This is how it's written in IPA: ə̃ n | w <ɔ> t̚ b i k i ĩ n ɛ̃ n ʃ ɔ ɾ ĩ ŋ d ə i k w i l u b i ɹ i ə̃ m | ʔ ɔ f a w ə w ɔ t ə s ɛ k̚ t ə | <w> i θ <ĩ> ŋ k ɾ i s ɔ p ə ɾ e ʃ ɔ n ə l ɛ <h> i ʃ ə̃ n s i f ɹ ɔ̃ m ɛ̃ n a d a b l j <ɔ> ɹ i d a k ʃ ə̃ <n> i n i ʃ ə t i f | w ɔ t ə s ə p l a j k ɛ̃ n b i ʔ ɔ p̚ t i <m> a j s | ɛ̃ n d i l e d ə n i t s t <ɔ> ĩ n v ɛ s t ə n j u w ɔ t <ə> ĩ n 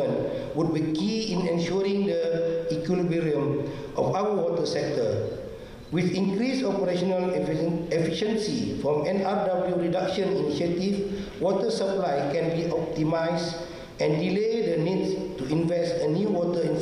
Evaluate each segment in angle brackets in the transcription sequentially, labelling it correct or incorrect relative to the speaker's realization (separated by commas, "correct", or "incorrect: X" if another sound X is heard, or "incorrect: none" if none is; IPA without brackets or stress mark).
incorrect: u, correct, correct, incorrect: f, incorrect: u, correct, correct, incorrect: u, correct